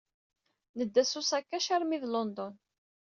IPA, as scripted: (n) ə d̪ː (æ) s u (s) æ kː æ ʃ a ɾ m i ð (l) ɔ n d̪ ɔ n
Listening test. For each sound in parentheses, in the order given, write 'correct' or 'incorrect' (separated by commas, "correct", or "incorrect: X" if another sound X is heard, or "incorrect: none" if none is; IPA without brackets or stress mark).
correct, correct, correct, correct